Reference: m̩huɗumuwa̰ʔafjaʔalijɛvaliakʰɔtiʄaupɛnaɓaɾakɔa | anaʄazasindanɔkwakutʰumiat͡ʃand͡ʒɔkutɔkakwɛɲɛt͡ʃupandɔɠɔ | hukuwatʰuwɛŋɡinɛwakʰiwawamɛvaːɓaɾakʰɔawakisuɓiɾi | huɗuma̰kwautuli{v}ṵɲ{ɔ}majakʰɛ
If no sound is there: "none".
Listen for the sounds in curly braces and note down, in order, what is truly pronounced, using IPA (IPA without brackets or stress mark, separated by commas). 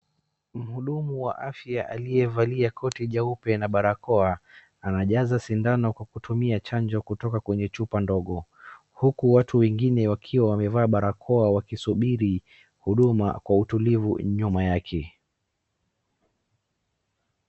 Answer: v, u